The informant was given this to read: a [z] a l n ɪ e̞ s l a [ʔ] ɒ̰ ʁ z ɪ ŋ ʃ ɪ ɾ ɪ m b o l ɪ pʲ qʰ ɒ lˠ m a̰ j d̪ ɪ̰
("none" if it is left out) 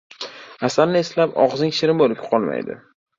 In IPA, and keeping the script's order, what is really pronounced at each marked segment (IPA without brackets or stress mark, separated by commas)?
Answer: s, p